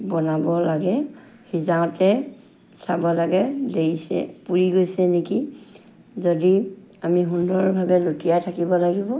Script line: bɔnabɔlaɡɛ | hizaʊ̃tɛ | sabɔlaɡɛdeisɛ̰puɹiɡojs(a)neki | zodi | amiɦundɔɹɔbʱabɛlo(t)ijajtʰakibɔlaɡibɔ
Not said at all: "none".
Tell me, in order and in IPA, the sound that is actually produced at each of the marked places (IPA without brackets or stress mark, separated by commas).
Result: ɛ, t